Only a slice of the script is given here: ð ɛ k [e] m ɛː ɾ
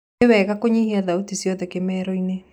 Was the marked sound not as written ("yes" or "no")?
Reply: no